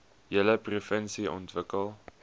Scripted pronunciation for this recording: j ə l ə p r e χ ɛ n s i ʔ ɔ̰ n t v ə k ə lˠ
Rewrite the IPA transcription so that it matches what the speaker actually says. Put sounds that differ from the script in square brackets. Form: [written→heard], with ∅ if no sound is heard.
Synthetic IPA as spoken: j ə l ə p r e [χ→f] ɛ n s i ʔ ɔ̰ n t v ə k ə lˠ